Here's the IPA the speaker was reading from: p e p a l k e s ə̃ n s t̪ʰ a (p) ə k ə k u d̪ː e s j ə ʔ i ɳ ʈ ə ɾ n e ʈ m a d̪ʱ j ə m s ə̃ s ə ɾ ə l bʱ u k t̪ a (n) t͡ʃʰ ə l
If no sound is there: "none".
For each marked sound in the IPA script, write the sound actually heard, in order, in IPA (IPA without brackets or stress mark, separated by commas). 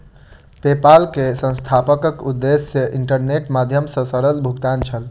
p, n